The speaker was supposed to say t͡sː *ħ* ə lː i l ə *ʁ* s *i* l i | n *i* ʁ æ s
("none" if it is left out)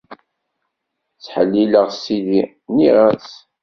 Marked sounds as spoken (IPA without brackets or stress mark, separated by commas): ħ, ʁ, i, i